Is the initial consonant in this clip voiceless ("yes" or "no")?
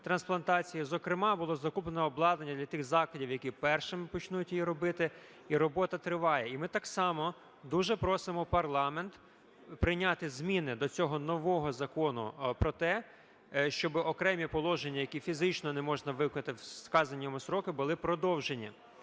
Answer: yes